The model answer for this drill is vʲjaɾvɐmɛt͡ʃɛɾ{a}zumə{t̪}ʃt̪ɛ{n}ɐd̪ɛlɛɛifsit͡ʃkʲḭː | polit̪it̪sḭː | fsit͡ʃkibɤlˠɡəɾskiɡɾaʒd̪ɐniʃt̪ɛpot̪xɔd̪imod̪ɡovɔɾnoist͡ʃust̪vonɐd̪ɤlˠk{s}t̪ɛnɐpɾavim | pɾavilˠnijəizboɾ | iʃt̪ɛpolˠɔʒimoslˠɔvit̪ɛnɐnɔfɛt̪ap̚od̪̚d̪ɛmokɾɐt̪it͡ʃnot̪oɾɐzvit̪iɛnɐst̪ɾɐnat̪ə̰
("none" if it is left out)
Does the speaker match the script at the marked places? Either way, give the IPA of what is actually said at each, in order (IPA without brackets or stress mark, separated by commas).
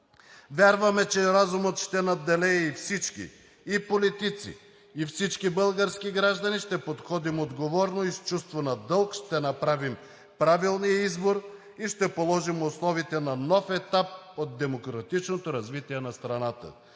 a, t̪, n, ʃ